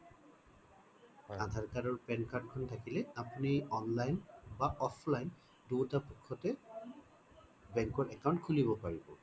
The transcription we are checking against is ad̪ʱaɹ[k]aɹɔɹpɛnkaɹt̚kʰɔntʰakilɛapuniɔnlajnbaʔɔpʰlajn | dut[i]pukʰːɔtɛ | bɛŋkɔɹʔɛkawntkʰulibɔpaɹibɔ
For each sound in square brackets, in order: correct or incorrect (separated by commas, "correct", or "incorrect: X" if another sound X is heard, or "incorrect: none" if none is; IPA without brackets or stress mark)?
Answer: correct, incorrect: a